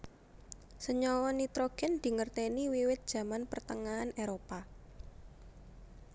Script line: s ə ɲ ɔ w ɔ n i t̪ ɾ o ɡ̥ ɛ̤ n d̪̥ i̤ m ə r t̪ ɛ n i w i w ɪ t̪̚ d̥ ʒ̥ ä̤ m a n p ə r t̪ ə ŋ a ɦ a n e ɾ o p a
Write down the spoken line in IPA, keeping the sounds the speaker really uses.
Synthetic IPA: s ə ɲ ɔ w ɔ n i t̪ ɾ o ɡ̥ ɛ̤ n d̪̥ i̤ ŋ ə r t̪ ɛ n i w i w ɪ t̪̚ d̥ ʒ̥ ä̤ m a n p ə r t̪ ə ŋ a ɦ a n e ɾ o p a